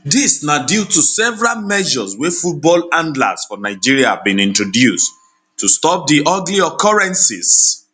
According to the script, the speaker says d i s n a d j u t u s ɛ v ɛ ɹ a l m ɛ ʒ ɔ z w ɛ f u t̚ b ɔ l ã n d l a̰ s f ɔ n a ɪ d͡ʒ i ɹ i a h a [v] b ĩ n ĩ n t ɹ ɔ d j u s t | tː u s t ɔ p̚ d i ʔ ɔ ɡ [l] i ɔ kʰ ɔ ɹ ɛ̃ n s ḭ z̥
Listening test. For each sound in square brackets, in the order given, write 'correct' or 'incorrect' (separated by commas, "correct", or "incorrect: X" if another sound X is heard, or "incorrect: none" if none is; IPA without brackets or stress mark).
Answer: correct, correct